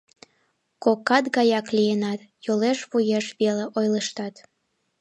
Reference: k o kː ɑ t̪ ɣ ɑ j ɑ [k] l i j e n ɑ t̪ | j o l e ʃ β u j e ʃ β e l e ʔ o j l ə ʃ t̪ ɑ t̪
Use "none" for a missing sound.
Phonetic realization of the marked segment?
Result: k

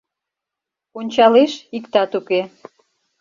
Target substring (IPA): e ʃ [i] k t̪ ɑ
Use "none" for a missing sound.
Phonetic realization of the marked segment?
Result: i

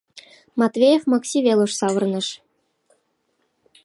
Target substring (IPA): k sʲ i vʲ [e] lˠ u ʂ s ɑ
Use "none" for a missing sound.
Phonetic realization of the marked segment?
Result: e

